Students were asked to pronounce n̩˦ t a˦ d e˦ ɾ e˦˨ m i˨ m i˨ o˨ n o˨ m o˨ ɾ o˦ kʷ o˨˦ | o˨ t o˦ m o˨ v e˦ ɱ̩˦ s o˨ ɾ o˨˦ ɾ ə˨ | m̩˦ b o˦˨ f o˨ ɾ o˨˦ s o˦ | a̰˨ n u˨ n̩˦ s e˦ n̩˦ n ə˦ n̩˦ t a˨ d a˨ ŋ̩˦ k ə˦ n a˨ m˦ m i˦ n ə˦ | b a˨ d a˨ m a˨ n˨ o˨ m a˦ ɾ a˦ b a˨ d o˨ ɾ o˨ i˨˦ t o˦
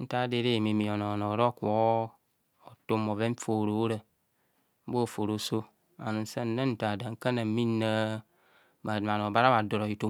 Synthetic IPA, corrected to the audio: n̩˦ t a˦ d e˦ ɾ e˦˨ m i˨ m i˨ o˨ n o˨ n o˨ ɾ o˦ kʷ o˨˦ | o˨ t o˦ m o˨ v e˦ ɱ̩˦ f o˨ ɾ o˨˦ ɾ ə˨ | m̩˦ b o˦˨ f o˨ ɾ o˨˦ s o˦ | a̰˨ n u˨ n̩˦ s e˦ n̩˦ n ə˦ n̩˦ t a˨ d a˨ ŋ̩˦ k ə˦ n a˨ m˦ m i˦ n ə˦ | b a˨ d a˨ m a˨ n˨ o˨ b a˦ ɾ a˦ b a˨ d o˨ ɾ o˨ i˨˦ t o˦